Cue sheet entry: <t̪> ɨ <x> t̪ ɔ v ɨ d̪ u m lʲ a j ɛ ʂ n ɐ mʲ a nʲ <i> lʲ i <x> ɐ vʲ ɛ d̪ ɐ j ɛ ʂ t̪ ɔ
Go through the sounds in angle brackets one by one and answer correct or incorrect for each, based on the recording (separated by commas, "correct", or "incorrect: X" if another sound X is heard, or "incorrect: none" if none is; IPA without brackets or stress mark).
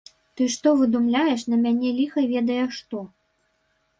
correct, incorrect: ʂ, incorrect: ɛ, correct